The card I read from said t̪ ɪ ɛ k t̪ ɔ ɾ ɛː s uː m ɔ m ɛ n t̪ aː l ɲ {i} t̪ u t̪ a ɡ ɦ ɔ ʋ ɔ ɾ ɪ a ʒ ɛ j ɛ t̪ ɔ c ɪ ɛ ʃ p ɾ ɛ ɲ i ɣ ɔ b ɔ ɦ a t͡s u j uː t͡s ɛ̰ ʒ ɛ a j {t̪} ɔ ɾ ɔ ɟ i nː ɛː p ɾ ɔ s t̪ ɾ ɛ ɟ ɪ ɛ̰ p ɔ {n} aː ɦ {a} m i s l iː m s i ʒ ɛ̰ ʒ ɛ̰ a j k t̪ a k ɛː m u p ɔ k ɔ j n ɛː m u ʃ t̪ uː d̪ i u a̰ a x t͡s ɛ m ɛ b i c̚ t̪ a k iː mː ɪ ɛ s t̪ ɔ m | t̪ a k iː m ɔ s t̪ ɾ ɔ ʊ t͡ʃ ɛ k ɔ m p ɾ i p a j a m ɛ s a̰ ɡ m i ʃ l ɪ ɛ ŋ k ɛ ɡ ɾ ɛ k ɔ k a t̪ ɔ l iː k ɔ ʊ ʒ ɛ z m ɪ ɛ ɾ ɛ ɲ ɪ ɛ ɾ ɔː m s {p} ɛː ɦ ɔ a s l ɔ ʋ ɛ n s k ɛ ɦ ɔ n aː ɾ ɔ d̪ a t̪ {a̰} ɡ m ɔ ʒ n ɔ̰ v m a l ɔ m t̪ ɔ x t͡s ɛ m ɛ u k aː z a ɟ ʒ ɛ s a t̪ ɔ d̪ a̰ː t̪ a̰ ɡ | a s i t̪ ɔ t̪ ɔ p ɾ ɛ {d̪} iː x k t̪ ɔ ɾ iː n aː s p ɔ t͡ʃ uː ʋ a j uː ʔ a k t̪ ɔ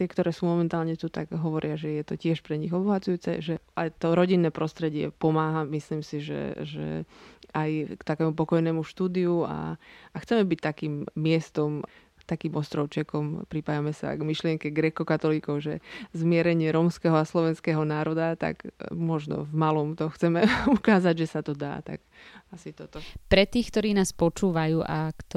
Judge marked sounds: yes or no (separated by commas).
no, yes, no, yes, no, yes, no